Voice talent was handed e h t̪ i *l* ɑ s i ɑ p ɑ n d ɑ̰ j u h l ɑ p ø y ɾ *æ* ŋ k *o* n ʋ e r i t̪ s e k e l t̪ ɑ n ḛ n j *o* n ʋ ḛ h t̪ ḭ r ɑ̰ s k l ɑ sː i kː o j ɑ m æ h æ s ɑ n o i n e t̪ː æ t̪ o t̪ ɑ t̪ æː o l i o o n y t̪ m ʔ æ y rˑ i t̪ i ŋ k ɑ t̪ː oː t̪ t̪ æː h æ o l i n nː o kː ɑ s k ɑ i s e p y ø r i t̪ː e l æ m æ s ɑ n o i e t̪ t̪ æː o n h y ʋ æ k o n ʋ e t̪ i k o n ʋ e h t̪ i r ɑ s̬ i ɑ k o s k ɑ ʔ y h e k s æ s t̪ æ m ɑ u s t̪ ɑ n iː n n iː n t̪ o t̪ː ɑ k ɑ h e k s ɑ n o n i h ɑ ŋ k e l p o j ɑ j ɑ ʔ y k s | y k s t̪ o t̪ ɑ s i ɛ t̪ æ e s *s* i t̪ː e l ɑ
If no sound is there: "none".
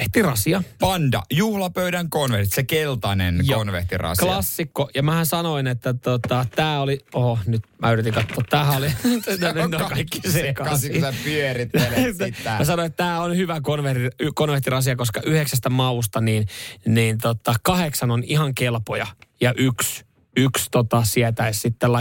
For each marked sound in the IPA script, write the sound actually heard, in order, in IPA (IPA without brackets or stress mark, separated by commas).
r, æ, o, o, s